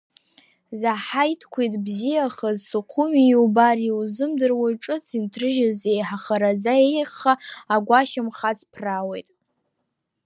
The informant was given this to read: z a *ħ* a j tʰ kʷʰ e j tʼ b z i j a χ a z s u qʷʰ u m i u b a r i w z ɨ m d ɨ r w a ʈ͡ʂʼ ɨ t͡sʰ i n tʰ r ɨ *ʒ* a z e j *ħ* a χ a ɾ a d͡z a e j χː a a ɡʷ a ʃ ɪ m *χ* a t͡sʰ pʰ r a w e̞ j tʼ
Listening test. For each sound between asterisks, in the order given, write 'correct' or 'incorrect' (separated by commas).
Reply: correct, correct, correct, correct